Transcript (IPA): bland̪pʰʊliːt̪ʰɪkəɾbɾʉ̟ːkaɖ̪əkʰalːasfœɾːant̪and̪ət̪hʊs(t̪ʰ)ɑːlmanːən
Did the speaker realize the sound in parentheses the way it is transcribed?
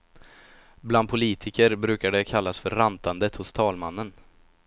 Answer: yes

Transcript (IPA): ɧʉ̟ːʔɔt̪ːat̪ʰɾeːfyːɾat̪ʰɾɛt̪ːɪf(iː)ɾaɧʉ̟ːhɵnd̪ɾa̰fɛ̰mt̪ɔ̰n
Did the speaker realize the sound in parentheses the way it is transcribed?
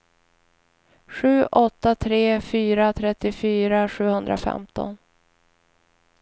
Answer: no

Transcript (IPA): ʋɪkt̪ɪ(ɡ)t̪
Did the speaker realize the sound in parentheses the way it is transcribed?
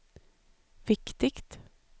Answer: no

